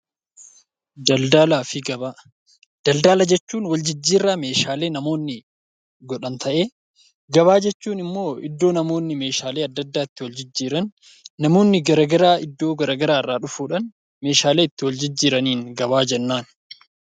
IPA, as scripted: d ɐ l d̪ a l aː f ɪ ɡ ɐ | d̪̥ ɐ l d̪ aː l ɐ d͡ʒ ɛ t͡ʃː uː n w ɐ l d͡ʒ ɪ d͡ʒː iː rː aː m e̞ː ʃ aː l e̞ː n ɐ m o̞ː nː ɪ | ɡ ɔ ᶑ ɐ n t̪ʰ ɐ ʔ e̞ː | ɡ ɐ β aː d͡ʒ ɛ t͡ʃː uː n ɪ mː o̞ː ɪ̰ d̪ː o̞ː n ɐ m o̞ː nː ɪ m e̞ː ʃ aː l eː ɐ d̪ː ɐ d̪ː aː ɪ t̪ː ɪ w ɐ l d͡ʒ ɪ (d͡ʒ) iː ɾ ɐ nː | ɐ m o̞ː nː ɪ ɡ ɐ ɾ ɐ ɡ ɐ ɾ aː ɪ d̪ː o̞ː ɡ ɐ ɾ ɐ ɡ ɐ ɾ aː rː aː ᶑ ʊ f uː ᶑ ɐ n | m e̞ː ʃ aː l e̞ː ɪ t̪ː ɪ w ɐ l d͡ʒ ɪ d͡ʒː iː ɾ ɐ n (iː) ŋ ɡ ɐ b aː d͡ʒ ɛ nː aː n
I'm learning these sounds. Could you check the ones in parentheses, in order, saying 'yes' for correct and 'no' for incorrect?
no, yes

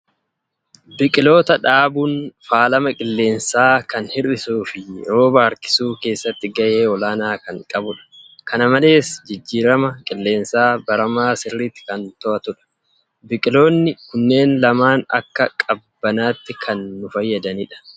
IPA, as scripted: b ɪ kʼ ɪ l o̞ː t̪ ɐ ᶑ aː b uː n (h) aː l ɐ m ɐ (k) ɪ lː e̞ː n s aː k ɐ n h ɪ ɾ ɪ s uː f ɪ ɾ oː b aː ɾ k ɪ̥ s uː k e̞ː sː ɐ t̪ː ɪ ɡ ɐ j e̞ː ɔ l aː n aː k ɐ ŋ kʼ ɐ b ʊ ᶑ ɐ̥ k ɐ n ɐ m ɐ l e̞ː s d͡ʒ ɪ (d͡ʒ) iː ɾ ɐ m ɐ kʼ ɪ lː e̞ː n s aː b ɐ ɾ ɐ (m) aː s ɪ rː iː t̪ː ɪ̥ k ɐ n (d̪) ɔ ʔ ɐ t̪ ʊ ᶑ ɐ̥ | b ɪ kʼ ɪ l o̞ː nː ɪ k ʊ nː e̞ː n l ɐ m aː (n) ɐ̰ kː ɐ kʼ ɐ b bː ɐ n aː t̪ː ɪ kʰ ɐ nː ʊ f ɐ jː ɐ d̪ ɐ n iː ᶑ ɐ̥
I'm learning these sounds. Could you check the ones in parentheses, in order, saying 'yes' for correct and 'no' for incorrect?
no, no, no, yes, no, yes

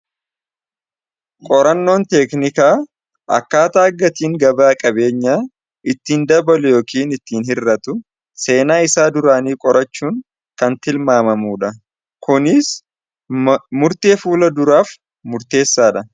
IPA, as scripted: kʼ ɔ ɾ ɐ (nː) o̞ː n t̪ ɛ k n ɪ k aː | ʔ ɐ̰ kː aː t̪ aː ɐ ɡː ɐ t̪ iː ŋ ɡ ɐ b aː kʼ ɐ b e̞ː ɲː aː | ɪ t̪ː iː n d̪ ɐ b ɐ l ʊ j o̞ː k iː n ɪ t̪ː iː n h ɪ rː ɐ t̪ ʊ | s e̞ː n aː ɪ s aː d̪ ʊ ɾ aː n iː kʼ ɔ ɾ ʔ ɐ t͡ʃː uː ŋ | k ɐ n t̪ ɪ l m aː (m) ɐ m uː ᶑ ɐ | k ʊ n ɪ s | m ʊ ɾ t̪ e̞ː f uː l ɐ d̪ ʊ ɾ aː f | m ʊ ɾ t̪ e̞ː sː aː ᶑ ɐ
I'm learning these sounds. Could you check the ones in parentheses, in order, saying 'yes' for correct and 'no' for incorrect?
yes, yes

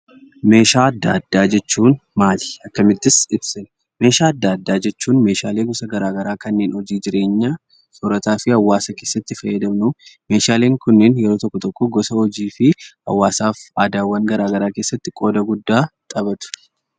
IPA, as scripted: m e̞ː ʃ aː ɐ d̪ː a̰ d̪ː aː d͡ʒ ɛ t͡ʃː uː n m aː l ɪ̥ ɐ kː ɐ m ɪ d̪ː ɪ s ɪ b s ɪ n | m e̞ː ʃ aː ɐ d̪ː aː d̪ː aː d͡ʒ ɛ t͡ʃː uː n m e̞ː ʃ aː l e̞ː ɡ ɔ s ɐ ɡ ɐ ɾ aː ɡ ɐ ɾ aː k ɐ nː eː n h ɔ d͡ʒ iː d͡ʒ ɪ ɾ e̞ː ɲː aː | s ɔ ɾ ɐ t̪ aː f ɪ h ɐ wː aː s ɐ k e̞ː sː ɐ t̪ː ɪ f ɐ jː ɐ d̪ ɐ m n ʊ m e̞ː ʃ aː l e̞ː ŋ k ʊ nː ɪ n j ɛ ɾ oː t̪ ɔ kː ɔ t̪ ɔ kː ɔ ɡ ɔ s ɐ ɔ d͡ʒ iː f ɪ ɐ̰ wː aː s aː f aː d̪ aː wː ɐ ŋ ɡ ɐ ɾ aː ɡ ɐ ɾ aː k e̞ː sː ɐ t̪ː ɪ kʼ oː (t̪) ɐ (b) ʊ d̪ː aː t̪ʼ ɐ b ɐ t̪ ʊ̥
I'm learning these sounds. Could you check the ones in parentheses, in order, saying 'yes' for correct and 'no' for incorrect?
no, no

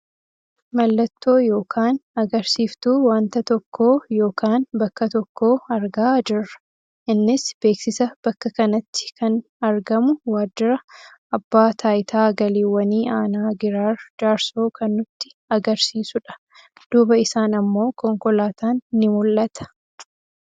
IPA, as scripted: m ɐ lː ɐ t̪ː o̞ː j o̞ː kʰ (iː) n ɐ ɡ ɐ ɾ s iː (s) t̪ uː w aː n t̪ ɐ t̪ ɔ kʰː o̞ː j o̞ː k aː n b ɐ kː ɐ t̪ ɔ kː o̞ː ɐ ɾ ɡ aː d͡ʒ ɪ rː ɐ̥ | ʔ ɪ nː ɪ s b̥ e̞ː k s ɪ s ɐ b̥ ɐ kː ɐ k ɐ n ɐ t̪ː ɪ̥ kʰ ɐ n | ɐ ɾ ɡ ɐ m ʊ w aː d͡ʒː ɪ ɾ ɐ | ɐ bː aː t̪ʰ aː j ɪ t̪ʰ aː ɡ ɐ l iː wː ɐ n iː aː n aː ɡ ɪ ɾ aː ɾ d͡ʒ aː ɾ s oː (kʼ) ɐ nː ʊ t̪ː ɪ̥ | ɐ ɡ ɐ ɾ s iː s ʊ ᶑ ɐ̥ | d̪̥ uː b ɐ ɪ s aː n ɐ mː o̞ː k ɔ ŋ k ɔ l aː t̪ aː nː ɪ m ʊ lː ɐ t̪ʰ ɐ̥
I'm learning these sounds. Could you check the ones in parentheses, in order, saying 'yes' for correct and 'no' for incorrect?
no, no, no

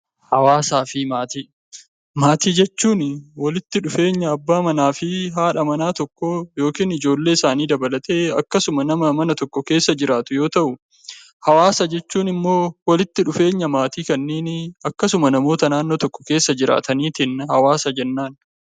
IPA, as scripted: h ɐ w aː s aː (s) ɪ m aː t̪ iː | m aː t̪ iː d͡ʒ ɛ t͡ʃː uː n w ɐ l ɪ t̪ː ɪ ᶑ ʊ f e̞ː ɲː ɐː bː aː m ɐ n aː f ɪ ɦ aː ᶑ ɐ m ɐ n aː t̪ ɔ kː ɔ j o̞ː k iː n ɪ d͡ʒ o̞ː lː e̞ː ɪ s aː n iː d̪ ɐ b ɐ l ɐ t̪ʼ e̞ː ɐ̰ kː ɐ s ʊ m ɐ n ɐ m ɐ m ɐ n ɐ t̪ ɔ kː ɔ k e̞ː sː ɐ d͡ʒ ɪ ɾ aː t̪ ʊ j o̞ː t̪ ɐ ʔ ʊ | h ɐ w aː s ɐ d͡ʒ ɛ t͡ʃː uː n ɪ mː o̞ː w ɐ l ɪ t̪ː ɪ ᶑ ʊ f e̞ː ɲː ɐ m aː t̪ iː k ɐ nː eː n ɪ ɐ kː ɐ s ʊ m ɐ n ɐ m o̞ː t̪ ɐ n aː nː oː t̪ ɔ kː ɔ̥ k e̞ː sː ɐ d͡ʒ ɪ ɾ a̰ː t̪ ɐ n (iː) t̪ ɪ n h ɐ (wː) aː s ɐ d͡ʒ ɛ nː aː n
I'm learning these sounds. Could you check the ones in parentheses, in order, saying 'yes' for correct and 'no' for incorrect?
no, yes, no

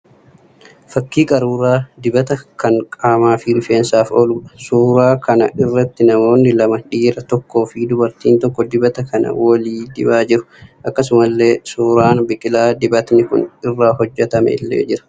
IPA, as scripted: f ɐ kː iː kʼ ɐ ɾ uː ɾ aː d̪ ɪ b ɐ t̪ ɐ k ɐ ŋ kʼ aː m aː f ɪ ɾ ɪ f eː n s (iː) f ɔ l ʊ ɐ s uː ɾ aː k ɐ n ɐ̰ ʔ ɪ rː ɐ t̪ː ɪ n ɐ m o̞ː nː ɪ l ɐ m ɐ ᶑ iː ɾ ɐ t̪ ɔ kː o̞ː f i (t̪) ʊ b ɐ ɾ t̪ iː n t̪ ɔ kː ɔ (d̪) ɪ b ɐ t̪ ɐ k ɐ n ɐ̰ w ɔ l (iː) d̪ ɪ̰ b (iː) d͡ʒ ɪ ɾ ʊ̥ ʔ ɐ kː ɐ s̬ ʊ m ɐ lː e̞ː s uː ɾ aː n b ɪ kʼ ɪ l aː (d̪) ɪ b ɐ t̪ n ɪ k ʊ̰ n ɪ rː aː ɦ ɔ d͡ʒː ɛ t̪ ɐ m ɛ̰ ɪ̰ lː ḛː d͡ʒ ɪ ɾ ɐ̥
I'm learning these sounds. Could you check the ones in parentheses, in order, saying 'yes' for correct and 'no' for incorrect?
no, no, yes, yes, no, yes

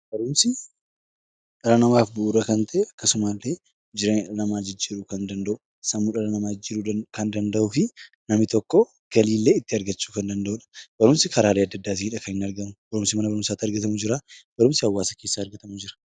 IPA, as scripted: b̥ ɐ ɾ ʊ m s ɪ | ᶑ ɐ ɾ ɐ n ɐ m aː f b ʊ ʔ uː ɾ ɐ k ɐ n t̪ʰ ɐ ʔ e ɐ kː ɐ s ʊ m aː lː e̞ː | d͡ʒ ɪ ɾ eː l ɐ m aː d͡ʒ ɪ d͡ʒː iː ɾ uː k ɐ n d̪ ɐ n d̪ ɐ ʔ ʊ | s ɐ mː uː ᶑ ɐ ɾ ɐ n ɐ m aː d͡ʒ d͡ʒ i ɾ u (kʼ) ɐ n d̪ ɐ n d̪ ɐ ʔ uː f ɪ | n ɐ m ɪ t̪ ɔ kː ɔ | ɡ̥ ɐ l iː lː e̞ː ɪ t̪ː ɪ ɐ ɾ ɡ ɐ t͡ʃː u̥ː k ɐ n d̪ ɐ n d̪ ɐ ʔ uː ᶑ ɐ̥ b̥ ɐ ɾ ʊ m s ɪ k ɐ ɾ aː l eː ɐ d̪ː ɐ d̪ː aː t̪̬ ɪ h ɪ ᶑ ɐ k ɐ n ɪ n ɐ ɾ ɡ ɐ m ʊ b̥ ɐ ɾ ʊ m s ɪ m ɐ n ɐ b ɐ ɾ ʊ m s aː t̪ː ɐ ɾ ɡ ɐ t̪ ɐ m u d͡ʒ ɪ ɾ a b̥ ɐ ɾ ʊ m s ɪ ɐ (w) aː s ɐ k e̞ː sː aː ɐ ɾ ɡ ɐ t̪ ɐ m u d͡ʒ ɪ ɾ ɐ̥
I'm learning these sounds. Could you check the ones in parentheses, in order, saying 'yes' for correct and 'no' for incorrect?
no, no

